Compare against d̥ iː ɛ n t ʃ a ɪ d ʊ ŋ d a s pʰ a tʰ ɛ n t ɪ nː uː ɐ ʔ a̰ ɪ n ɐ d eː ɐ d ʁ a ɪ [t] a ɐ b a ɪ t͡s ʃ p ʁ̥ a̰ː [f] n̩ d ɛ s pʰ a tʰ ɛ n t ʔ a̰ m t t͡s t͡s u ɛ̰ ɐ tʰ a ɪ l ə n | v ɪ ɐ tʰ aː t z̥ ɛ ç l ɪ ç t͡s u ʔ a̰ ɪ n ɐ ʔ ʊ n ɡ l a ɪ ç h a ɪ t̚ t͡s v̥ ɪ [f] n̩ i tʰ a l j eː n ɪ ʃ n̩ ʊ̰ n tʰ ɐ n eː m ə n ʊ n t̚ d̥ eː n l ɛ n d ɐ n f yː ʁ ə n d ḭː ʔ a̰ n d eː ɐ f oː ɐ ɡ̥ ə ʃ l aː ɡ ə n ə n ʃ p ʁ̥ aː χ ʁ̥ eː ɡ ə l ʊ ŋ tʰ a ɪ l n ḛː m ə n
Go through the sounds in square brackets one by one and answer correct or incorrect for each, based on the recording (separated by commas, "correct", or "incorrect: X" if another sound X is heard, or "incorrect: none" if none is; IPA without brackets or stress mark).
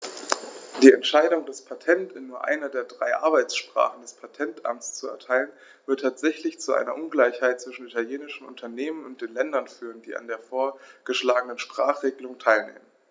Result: incorrect: ʔ, incorrect: χ, incorrect: ʃ